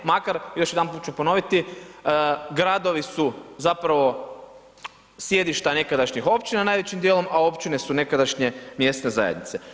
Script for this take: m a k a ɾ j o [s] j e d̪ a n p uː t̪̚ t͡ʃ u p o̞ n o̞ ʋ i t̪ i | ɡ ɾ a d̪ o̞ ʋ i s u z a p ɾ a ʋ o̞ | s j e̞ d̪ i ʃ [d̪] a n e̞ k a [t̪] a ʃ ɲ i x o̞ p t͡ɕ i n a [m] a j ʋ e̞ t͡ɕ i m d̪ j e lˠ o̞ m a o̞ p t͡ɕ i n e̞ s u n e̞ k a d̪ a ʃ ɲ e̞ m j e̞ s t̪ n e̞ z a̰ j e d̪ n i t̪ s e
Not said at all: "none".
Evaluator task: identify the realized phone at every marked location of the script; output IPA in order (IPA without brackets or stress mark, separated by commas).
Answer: ʃ, t̪, d̪, n